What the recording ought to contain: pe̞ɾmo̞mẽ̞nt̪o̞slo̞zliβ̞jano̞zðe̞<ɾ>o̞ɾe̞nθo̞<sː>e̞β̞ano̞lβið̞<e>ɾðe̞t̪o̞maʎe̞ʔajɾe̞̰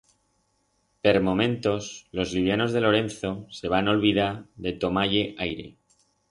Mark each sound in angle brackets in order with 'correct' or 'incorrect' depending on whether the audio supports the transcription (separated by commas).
incorrect, incorrect, incorrect